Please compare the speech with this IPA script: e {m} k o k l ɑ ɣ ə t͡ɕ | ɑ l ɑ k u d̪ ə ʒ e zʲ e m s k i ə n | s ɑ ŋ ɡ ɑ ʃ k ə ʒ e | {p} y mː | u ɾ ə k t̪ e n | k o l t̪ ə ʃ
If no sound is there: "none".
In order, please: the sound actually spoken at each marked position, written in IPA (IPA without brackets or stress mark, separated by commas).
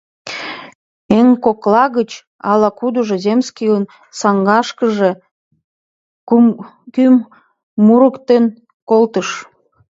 ŋ, k